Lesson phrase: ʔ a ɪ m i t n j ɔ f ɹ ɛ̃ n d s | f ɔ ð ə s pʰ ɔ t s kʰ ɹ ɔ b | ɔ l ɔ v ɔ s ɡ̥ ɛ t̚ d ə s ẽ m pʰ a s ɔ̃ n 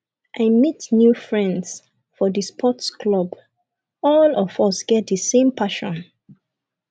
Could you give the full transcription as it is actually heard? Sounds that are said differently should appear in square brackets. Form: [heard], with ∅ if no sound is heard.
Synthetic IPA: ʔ a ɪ m i t n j [u] f ɹ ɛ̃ n d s | f ɔ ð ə s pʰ ɔ t s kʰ [l] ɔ b | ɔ l ɔ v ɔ s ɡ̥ ɛ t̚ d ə s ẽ m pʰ a [ʃ] ɔ̃ n